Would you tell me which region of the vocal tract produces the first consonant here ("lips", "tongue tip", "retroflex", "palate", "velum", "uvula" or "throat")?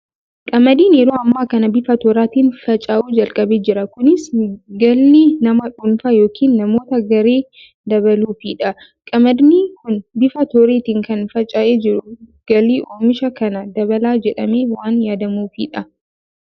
velum